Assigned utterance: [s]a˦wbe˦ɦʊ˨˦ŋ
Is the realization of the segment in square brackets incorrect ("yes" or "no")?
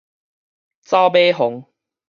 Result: yes